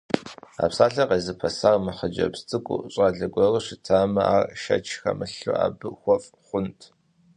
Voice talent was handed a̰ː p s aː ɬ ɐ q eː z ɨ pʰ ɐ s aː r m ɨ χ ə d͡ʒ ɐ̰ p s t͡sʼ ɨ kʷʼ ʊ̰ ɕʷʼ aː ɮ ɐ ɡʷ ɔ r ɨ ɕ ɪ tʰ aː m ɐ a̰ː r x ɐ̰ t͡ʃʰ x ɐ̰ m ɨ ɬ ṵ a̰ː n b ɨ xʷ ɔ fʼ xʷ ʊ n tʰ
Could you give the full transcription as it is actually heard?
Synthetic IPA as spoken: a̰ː p s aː ɬ ɐ q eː z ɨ pʰ ɐ s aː r m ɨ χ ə d͡ʒ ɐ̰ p s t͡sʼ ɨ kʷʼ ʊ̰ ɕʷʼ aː ɮ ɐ ɡʷ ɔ r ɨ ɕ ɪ tʰ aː m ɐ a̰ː r ʃ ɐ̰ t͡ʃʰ x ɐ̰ m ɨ ɬ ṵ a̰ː b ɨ xʷ ɔ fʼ χʷ ʊ n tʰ